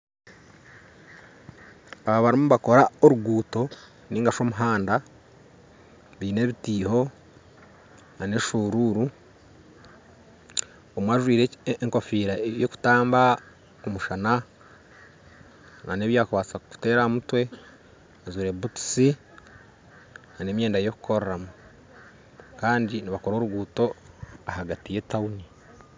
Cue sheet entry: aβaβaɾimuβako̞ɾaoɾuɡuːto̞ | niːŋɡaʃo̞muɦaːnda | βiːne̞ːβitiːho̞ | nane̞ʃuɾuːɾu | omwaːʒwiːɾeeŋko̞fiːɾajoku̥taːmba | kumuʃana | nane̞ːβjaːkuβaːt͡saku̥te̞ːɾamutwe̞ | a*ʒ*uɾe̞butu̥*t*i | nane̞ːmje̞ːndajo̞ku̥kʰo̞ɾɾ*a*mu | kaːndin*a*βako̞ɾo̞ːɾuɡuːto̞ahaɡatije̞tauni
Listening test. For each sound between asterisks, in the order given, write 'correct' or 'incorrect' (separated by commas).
incorrect, incorrect, correct, incorrect